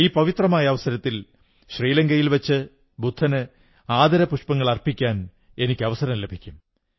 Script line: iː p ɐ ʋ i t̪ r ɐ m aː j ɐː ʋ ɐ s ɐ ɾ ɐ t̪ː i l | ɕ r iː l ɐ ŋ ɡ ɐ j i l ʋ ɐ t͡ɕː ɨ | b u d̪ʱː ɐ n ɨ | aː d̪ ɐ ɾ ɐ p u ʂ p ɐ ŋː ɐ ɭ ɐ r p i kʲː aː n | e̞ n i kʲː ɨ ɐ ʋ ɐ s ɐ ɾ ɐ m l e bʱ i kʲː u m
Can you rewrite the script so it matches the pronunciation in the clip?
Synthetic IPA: iː p ɐ ʋ i t̪ r ɐ m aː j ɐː ʋ ɐ s ɐ ɾ ɐ t̪ː i l | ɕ r iː l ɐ ŋ ɡ ɐ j i l ʋ ɐ t͡ɕː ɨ | b u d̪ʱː ɐ n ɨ | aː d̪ ɐ ɾ ɐ p u ʂ p ɐ ŋː ɐ ɭ ɐ r p i kʲː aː n | e̞ n i kʲː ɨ ɐ ʋ ɐ s ɐ ɾ ɐ m l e bʱ i kʲː u m